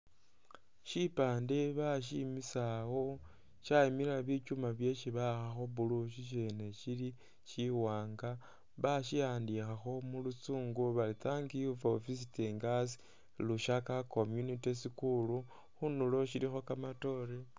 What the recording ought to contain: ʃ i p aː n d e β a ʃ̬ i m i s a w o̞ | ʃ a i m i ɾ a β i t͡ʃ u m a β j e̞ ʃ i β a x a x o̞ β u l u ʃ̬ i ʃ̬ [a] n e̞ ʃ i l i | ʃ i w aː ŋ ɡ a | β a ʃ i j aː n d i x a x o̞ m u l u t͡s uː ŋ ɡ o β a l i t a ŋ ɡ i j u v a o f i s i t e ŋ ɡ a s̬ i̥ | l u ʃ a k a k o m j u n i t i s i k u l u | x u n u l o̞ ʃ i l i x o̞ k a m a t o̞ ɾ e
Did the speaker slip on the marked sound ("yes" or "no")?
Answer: yes